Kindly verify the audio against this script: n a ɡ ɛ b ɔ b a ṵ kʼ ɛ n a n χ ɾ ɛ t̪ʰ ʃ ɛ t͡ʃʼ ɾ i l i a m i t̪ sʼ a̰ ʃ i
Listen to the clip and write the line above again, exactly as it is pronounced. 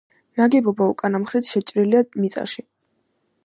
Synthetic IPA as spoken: n a ɡ ɛ b ɔ b a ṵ kʼ a n a m χ ɾ i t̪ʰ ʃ ɛ t͡ʃʼ ɾ i l i a m i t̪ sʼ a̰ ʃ i

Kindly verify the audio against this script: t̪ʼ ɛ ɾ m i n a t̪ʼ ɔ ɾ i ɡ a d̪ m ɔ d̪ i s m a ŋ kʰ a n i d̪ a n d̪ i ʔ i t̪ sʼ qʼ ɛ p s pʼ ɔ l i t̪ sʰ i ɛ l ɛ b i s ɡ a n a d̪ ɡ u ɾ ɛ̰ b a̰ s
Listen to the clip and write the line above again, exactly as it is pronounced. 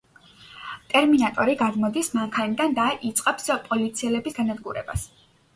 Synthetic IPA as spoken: t̪ʼ ɛ ɾ m i n a t̪ʼ ɔ ɾ i ɡ a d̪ m ɔ d̪ i s m a ŋ kʰ a n i d̪ a n d̪ a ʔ i t̪ sʼ qʼ ɛ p s pʼ ɔ l i t̪ sʰ i ɛ l ɛ b i s ɡ a n a d̪ ɡ u ɾ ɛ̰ b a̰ s

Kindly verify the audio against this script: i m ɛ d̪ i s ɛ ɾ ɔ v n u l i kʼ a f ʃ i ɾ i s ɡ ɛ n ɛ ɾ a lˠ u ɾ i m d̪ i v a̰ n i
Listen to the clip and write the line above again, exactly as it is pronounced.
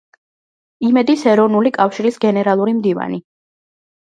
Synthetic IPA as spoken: i m ɛ d̪ i s ɛ ɾ ɔ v n u l i kʼ a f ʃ i ɾ i s ɡ ɛ n ɛ ɾ a lˠ u ɾ i m d̪ i v a̰ n i

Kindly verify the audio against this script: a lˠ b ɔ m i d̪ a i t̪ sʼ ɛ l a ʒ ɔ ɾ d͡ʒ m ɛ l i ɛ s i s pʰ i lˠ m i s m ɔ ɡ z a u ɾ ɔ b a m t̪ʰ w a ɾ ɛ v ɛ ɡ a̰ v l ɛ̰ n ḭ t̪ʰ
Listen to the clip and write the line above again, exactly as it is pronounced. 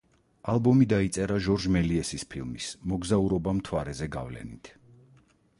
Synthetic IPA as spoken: a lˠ b ɔ m i d̪ a i t̪ sʼ ɛ ɾ a ʒ ɔ ɾ d͡ʒ m ɛ l i ɛ s i s pʰ i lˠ m i s m ɔ ɡ z a u ɾ ɔ b a m t̪ʰ w a ɾ ɛ z ɛ ɡ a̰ v l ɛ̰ n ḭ t̪ʰ

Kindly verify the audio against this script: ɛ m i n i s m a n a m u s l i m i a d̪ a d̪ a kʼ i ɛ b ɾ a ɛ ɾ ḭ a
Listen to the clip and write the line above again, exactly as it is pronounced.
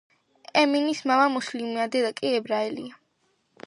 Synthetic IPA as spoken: ɛ m i n i s m a m a m u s l i m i a d̪ ɛ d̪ a kʼ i ɛ b ɾ a ɛ l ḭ a

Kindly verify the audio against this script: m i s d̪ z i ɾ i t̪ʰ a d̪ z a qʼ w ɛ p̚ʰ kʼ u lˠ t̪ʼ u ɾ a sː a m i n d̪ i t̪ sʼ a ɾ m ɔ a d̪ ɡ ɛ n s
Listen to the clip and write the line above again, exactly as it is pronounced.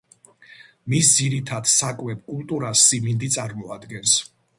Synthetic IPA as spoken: m i s d̪ z i ɾ i t̪ʰ a d̪ s a kʼ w ɛ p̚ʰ kʼ u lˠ t̪ʼ u ɾ a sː i m i n d̪ i t̪ sʼ a ɾ m ɔ a d̪ ɡ ɛ n s

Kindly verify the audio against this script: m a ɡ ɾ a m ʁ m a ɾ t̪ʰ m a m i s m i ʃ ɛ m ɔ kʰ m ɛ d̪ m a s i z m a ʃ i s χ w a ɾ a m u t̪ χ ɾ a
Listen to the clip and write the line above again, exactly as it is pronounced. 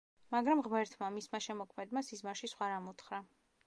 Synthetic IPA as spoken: m a ɡ ɾ a m ʁ m ɛ ɾ t̪ʰ m a m i s m a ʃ ɛ m ɔ kʰ m ɛ d̪ m a s i z m a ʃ i s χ w a ɾ a m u t̪ χ ɾ a

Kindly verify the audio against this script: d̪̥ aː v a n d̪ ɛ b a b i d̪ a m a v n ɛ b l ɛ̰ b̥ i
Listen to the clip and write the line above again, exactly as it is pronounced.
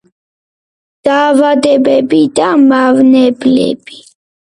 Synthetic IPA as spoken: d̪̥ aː v a d̪ ɛ b ɛ b i d̪ a m a v n ɛ b l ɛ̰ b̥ i

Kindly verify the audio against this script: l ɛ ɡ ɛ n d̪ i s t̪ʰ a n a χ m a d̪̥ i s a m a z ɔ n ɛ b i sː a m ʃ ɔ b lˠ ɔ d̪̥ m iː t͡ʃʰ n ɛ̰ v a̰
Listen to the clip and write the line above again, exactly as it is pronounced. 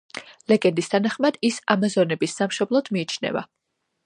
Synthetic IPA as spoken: l ɛ ɡ ɛ n d̪ i s t̪ʰ a n a χ m a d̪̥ i s a m a z ɔ n ɛ b i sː a m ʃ ɔ b lˠ ɔ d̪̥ m iː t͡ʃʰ n ɛ̰ v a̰

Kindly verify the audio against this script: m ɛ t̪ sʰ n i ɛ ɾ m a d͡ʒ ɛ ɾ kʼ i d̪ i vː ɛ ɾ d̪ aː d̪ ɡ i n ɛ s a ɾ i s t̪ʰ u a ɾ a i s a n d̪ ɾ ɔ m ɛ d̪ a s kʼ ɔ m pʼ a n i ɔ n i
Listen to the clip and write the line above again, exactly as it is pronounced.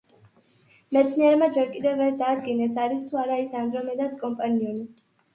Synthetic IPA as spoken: m ɛ t̪ sʰ n i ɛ ɾ m a d͡ʒ ɛ ɾ kʼ i d̪ ɛ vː ɛ ɾ d̪ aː d̪ ɡ i n ɛ s a ɾ i s t̪ʰ u a ɾ a i s a n d̪ ɾ ɔ m ɛ d̪ a s kʼ ɔ m pʼ a n i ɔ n i

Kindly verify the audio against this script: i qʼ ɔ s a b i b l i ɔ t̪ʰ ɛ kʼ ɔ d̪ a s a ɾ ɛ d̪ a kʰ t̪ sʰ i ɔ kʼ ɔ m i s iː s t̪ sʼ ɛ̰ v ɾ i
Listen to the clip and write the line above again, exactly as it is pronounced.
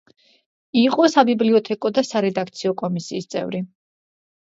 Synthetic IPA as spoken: i qʼ ɔ s a b i b l i ɔ t̪ʰ ɛ kʼ ɔ d̪ a s a ɾ ɛ d̪ a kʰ t̪ sʰ i ɔ kʼ ɔ m i s iː s t̪ sʼ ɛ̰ v ɾ i

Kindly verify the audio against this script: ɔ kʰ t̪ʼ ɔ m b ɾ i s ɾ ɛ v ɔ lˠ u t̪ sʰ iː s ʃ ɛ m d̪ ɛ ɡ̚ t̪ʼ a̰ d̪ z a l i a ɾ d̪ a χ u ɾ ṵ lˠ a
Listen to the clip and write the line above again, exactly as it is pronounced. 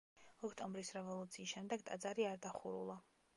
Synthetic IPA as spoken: ɔ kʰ t̪ʼ ɔ m b ɾ i s ɾ ɛ v ɔ lˠ u t̪ sʰ iː s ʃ ɛ m d̪ ɛ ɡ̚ t̪ʼ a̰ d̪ z a ɾ i a ɾ d̪ a χ u ɾ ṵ lˠ a

